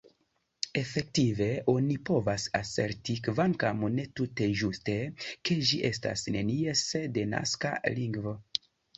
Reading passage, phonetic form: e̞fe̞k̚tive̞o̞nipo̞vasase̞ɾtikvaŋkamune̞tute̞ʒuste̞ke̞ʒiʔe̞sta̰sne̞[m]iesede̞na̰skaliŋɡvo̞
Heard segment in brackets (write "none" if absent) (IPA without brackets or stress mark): n